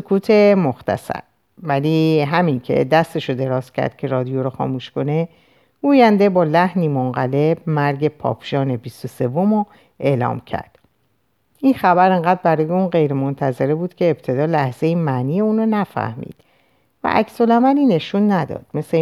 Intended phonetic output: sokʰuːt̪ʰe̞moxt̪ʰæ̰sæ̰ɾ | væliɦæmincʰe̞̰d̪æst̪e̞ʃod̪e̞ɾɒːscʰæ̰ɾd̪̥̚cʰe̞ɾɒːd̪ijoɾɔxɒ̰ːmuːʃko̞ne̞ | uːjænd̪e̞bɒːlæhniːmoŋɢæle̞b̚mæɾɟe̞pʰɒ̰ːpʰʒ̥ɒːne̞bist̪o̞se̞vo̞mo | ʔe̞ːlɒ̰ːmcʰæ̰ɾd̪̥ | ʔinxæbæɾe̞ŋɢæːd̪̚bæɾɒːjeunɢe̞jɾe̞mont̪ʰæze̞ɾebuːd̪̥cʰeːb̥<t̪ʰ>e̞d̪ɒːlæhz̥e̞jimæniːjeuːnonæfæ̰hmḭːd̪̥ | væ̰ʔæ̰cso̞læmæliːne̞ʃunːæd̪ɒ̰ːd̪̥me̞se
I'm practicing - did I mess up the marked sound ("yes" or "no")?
no